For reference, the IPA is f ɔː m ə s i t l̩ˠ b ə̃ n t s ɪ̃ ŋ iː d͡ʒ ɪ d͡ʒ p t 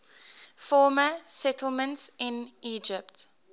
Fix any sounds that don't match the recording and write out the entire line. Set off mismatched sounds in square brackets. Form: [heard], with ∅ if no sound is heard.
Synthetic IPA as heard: f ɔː m ə s [ɛ] t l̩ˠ [m] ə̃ n t s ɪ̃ [n] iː d͡ʒ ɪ [∅] p t